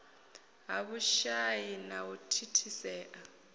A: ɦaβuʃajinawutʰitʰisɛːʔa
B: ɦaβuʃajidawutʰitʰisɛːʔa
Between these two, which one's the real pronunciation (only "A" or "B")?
A